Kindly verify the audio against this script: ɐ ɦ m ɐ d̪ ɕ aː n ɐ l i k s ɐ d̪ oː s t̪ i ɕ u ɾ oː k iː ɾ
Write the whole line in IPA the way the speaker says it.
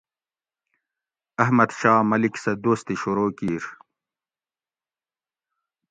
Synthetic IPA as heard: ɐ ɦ m ɐ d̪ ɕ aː m ɐ l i k s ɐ d̪ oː s t̪ i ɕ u ɾ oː k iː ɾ